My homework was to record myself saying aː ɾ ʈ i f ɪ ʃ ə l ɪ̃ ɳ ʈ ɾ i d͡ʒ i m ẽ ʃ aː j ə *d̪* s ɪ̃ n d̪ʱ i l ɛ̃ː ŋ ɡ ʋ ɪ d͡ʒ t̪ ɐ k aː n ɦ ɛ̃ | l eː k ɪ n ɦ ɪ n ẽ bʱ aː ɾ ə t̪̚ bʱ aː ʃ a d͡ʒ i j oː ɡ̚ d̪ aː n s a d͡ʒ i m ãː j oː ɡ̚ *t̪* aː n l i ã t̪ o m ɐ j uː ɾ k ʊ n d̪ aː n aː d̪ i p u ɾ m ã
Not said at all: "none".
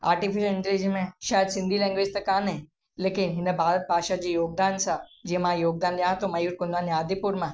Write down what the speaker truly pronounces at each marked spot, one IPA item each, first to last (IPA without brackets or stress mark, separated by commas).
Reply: d̪, d̪